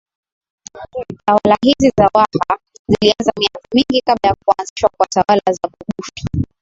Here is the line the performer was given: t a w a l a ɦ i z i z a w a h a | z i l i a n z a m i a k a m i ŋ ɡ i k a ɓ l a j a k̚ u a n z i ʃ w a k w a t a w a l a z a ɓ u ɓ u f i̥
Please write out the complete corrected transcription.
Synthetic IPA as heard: t a w a l a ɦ i z i z a w a h a | z i l i a n z a m i a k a m i ŋ ɡ i k a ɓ l a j a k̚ u a n z i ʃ w a k w a t a w a l a z a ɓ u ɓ u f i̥